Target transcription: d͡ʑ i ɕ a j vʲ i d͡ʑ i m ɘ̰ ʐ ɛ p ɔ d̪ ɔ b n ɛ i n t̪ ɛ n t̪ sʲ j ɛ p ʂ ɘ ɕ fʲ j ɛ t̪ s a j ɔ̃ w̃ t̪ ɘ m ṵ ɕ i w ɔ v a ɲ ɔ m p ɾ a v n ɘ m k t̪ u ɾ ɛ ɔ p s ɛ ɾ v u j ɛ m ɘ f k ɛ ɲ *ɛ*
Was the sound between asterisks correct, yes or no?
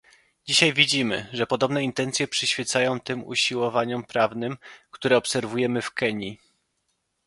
no